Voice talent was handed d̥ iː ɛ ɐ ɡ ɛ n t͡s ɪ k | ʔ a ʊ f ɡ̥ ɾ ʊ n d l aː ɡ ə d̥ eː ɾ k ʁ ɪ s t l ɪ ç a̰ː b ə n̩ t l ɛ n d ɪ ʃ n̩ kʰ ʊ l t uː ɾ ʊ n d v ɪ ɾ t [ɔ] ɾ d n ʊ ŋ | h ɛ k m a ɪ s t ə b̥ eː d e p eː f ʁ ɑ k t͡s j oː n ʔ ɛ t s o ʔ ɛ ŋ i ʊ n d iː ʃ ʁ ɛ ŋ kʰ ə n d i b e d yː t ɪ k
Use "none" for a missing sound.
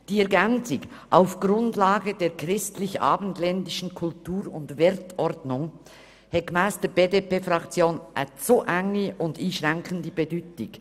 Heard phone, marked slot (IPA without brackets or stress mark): ɔ